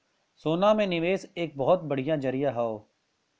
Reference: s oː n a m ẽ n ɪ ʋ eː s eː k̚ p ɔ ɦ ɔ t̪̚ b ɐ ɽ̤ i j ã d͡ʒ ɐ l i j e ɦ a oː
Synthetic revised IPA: s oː n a m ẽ n ɪ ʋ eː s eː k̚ b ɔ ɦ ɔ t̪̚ b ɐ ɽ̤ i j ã d͡ʒ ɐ ɾ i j a ɦ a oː